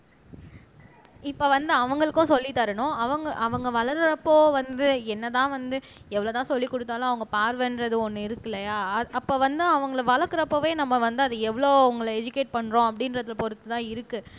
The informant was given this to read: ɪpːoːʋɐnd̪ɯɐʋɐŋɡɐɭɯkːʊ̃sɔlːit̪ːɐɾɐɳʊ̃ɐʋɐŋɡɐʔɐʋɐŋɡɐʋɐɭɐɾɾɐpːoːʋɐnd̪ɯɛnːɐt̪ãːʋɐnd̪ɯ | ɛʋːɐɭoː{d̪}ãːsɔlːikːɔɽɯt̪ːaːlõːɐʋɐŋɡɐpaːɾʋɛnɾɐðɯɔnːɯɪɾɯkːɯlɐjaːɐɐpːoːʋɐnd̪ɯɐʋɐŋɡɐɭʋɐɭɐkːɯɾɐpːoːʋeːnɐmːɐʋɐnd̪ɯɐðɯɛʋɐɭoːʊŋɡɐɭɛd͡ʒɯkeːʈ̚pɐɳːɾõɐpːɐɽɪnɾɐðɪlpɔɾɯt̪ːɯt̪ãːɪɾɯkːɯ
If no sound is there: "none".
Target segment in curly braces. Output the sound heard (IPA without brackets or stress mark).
t̪